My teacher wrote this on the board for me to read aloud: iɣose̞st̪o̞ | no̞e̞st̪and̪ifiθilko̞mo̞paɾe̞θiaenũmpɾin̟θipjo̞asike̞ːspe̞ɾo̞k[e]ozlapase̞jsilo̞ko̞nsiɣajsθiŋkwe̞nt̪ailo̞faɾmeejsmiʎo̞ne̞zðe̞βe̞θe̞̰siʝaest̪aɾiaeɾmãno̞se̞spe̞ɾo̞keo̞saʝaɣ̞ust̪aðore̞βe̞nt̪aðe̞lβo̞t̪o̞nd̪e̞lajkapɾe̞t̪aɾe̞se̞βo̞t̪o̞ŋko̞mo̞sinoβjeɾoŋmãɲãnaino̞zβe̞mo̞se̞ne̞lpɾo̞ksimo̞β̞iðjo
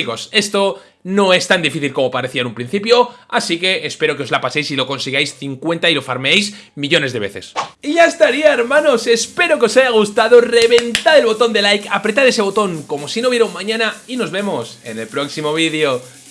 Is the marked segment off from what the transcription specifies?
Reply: no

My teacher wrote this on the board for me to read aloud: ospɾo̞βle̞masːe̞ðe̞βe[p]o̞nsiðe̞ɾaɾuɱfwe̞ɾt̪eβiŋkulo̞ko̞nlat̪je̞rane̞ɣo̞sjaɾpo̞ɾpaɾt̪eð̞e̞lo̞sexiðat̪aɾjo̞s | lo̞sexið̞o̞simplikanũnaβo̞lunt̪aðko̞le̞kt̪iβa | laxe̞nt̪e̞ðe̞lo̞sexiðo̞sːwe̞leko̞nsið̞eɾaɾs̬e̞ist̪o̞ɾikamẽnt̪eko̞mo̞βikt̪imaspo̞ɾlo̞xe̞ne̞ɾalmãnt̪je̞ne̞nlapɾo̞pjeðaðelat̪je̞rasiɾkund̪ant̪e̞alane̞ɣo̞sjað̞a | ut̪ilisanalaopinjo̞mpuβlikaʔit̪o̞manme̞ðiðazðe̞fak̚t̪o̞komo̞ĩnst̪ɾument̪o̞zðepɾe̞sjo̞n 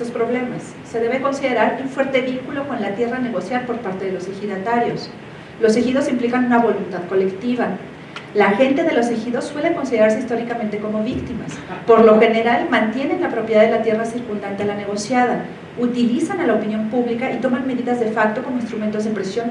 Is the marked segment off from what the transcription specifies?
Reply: yes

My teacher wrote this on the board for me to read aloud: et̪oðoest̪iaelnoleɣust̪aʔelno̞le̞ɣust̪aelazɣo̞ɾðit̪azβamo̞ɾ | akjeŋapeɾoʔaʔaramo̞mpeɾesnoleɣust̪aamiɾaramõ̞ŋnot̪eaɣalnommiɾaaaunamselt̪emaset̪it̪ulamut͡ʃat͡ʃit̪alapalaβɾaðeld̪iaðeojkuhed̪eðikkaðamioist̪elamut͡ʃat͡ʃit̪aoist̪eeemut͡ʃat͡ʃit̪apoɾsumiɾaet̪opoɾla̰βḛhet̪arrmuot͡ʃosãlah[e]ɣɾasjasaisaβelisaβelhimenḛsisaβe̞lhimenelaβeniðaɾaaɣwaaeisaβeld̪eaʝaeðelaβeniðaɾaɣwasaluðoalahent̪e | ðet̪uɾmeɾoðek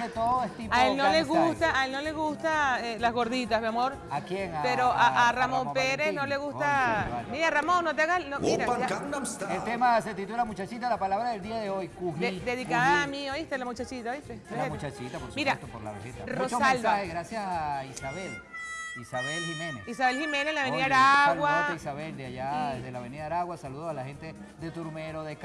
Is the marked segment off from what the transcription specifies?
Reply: no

